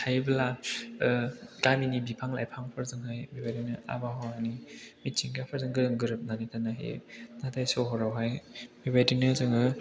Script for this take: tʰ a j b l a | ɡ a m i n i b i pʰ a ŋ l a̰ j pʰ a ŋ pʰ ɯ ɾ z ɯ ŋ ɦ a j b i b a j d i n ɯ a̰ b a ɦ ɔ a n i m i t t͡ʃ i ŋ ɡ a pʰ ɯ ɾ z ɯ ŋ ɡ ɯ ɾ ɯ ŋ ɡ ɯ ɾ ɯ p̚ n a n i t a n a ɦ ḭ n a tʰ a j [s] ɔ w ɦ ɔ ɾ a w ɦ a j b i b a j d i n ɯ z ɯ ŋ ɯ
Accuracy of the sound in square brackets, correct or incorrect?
correct